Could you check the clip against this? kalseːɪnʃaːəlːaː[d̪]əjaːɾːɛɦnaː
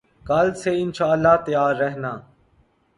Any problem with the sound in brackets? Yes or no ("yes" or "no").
yes